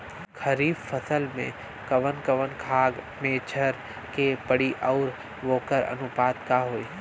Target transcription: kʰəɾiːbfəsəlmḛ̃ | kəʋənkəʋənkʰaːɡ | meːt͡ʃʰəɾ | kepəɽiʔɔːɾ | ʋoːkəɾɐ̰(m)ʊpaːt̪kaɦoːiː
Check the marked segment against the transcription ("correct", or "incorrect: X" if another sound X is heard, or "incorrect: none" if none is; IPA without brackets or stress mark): incorrect: n